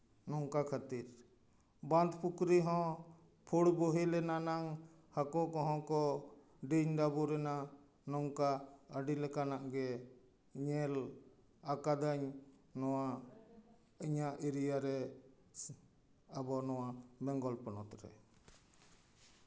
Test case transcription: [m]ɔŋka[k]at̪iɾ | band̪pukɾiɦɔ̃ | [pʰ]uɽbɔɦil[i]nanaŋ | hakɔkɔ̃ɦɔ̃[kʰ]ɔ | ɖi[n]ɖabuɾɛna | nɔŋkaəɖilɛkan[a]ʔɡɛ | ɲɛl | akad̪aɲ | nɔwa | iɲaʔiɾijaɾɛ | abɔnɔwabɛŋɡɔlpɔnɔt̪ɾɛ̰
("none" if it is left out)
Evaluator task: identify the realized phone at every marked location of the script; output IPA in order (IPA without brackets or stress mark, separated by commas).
n, kʰ, pʰ, ɛ, k, ɲ, a